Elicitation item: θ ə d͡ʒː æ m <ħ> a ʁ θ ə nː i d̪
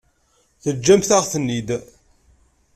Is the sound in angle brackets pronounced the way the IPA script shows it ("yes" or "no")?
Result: no